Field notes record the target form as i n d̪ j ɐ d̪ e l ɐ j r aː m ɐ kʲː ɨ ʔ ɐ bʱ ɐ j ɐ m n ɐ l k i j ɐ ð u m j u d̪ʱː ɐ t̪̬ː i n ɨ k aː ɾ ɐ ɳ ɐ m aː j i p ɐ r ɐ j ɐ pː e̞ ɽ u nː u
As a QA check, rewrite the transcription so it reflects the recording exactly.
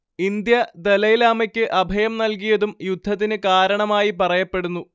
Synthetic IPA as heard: i n d̪ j ɐ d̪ e l ɐ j l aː m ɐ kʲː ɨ ʔ ɐ bʱ ɐ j ɐ m n ɐ l k i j ɐ ð u m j u d̪ʱː ɐ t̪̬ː i n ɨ k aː ɾ ɐ ɳ ɐ m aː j i p ɐ r ɐ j ɐ pː e̞ ɽ u nː u

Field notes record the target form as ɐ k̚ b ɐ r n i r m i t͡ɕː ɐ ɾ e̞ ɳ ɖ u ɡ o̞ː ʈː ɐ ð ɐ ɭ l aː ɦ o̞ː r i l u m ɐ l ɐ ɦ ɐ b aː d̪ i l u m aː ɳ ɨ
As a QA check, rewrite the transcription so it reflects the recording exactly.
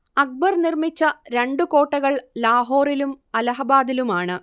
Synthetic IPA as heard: ɐ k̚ b ɐ r n i r m i t͡ɕː ɐ ɾ e̞ ɳ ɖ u k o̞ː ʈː ɐ ɣ ɐ ɭ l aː ɦ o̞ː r i l u m ɐ l ɐ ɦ ɐ b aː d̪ i l u m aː ɳ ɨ

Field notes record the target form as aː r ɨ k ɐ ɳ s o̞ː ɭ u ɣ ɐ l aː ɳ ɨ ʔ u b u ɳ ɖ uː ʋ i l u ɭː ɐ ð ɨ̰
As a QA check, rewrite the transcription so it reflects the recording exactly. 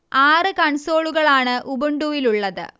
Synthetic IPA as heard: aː r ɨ k ɐ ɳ s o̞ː ɭ u ɣ ɐ ɭ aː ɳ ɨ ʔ u b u ɳ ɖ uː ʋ i l u ɭː ɐ ð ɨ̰

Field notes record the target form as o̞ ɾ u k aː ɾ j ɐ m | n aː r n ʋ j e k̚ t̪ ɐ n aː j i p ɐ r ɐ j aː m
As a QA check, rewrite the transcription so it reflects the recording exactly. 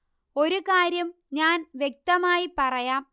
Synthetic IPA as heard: o̞ ɾ u k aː ɾ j ɐ m | ɲ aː n ʋ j e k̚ t̪ ɐ m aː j i p ɐ r ɐ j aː m

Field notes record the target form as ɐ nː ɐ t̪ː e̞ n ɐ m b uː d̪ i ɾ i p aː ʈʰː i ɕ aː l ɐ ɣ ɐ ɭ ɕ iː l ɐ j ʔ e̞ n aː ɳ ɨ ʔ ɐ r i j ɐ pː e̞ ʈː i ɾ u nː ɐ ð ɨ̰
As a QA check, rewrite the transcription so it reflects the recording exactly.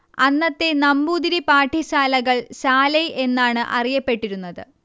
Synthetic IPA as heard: ɐ nː ɐ t̪ː e̞ n ɐ m b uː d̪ i ɾ i p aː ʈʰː i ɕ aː l ɐ ɣ ɐ ɭ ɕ aː l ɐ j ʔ e̞ nː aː ɳ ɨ ʔ ɐ r i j ɐ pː e̞ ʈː i ɾ u nː ɐ ð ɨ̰

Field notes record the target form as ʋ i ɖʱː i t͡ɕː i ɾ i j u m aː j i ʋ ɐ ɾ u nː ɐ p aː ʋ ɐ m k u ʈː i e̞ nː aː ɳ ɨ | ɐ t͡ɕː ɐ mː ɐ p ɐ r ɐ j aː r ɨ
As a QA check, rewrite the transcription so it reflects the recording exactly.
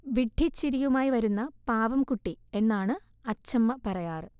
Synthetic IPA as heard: ʋ i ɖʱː i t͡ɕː i ɾ i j u m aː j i ʋ ɐ ɾ u nː ɐ p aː ʋ ɐ m k u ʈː i e̞ nː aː ɳ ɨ | ɐ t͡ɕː ɐ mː ɐ p ɐ r ɐ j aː r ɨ

